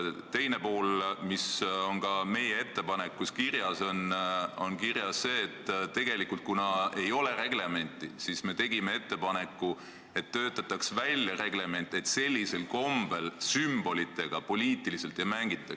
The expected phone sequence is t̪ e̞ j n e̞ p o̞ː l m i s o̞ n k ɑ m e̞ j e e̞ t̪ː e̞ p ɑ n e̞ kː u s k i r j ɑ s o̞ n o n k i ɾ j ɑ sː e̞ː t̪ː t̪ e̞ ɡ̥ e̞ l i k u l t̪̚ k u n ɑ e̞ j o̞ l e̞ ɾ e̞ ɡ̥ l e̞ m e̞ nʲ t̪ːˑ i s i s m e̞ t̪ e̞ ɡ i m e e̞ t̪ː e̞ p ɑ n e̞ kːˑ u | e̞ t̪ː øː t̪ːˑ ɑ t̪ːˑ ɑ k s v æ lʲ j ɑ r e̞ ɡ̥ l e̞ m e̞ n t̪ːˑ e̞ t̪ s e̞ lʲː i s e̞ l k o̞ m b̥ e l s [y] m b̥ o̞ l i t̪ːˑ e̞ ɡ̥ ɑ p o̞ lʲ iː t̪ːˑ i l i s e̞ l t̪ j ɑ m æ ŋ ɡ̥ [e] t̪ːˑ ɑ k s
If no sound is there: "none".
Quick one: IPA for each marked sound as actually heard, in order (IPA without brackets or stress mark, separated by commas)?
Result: y, i